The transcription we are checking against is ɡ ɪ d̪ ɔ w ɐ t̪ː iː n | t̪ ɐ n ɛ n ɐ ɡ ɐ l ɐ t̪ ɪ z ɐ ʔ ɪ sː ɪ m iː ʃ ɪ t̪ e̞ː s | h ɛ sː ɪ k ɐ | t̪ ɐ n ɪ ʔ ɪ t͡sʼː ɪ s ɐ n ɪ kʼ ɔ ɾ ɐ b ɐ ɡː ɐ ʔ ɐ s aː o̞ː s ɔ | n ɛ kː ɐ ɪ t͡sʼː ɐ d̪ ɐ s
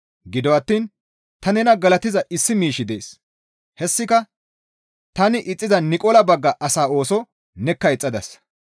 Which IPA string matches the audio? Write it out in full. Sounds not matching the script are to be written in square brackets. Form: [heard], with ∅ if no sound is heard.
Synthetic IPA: ɡ ɪ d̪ ɔ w ɐ t̪ː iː n | t̪ ɐ n ɛ n ɐ ɡ ɐ l ɐ t̪ ɪ z ɐ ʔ ɪ sː ɪ m iː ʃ ɪ [d̪] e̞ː s | h ɛ sː ɪ k ɐ | t̪ ɐ n ɪ ʔ ɪ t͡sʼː ɪ [z] ɐ n ɪ kʼ ɔ [l] ɐ b ɐ ɡː ɐ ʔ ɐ s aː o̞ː s ɔ | n ɛ kː ɐ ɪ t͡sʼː ɐ d̪ ɐ s